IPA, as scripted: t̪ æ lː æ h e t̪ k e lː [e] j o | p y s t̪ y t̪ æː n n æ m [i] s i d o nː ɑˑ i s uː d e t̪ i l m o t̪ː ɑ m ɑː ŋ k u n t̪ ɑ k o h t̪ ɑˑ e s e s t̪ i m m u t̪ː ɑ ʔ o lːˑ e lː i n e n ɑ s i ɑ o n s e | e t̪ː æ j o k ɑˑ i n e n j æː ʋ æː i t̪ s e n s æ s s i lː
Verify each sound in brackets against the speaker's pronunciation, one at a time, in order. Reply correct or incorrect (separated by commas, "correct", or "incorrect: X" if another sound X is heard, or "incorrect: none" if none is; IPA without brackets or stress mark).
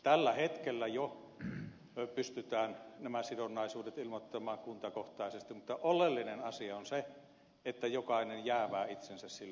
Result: incorrect: æ, incorrect: æ